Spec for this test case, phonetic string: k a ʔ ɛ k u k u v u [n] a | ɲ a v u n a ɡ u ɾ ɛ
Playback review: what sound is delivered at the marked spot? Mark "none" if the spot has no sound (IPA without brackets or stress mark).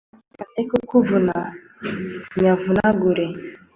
n